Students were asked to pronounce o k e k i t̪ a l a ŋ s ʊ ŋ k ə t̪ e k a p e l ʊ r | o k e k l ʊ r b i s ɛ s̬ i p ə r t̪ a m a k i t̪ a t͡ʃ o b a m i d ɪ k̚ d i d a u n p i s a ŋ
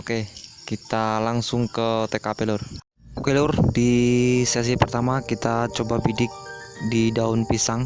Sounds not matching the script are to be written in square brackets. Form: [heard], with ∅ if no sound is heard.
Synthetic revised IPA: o k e k i t̪ a l a ŋ s ʊ ŋ k ə t̪ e k a p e l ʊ r | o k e [∅] l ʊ r [d] i s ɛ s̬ i p ə r t̪ a m a k i t̪ a t͡ʃ o b a [b] i d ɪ k̚ d i d a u n p i s a ŋ

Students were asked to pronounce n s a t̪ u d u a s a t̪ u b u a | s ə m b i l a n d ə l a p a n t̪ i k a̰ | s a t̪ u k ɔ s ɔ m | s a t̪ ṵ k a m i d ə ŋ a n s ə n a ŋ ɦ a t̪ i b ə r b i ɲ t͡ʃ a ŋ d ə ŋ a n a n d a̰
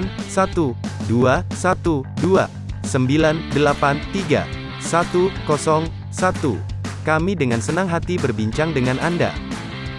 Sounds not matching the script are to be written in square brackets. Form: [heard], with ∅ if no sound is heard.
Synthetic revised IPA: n s a t̪ u d u a s a t̪ u [d] u a | s ə m b i l a n d ə l a p a n t̪ i [ɡ] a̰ | s a t̪ u k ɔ s ɔ [ŋ] | s a t̪ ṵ k a m i d ə ŋ a n s ə n a ŋ ɦ a t̪ i b ə r b i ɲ t͡ʃ a ŋ d ə ŋ a n a n d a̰

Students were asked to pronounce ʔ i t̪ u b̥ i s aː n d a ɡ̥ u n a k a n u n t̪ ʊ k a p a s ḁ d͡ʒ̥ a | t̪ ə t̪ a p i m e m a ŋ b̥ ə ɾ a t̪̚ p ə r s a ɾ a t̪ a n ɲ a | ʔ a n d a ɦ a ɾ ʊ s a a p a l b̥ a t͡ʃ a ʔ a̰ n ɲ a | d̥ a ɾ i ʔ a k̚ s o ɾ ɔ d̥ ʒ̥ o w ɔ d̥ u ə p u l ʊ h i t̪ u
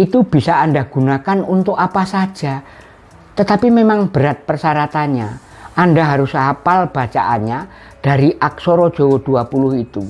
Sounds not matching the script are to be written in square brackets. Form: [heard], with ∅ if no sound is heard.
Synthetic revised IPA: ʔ i t̪ u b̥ i s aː n d a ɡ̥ u n a k a n u n t̪ ʊ k a p a s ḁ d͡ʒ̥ a | t̪ ə t̪ a p i m e m a ŋ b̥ ə ɾ a t̪̚ p ə r s a ɾ a t̪ a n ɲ a | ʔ a n d a ɦ a ɾ ʊ s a a p a l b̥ a t͡ʃ a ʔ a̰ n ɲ a | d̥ a ɾ i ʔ a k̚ s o ɾ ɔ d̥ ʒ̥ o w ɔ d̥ u [a] p u l ʊ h i t̪ u

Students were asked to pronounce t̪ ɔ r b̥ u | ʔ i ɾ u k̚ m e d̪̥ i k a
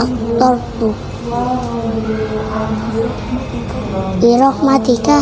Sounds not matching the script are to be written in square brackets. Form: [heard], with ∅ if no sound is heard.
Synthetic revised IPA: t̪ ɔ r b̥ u | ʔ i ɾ [ɔ] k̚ m [a] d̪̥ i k a

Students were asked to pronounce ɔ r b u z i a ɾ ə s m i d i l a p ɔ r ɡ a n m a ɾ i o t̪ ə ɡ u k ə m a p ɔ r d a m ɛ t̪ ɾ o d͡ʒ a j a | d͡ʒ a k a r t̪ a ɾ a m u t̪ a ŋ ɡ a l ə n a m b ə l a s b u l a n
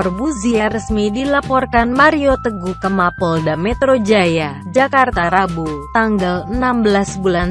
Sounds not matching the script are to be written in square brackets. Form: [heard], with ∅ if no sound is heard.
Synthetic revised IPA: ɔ r b u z i a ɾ ə s m i d i l a p ɔ r [k] a n m a ɾ i o t̪ ə ɡ u k ə m a p ɔ [l] d a m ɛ t̪ ɾ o d͡ʒ a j a | d͡ʒ a k a r t̪ a ɾ a [b] u t̪ a ŋ ɡ a l ə n a m b ə l a s b u l a n

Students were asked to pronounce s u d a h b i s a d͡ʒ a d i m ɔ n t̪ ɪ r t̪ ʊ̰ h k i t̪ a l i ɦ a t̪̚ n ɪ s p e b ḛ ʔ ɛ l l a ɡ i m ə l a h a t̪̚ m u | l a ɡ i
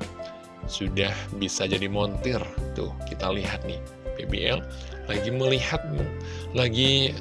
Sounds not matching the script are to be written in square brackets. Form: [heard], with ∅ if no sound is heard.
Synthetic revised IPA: s u d a h b i s a d͡ʒ a d i m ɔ n t̪ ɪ r t̪ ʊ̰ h k i t̪ a l i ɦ a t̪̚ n ɪ [h] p e b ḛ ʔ ɛ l l a ɡ i m ə l [i] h a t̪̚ m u | l a ɡ i

